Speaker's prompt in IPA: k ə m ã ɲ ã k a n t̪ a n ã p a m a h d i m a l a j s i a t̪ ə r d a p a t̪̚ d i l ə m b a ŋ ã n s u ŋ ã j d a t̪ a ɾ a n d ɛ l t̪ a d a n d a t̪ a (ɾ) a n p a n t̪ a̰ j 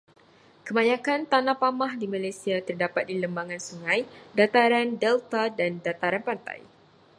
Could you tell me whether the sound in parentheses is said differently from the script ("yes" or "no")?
no